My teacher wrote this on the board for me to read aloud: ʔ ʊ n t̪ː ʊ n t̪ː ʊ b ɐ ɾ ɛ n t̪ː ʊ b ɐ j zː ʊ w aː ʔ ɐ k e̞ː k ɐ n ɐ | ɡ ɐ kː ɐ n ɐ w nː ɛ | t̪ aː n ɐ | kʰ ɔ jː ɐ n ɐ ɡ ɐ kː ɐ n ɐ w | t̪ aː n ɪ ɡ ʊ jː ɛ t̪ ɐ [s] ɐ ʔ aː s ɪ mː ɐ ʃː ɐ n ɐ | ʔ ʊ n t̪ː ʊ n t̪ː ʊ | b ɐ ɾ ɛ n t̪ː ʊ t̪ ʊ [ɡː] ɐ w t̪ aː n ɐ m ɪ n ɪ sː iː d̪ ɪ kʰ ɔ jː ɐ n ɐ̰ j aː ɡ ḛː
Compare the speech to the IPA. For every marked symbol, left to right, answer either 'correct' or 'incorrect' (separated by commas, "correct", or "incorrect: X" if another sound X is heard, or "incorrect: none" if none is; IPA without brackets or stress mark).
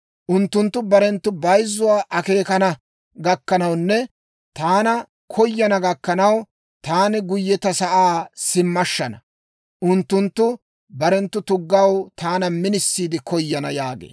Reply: correct, correct